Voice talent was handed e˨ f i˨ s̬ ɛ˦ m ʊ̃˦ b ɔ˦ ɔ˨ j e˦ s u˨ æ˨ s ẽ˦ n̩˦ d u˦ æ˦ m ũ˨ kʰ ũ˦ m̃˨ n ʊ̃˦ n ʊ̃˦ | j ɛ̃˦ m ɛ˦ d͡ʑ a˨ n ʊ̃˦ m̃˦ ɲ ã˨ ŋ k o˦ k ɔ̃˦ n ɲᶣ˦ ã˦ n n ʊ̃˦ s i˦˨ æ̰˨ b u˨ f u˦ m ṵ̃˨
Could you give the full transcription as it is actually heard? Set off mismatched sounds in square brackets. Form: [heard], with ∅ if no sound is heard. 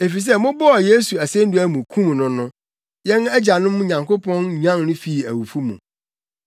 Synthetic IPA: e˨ f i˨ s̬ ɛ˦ m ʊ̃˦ b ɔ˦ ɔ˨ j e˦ s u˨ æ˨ s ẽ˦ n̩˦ d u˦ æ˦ m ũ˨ kʰ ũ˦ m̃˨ n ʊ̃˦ n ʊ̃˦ | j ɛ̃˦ [n] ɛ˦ d͡ʑ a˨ n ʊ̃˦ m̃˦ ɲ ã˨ ŋ k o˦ [p] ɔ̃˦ n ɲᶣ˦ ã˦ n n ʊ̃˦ [f] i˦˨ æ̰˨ [w] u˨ f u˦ m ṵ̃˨